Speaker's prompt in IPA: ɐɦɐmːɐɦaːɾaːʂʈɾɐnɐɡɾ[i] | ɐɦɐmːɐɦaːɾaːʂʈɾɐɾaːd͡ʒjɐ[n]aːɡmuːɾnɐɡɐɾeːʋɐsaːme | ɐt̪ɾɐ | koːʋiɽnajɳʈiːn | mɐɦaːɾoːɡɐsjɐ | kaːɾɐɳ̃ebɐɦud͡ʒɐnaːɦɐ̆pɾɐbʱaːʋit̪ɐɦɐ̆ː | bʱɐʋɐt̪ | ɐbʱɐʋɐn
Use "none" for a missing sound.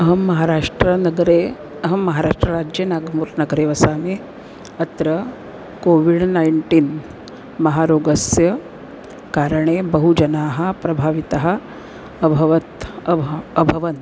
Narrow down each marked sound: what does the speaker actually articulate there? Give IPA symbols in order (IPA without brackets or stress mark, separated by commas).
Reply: e, n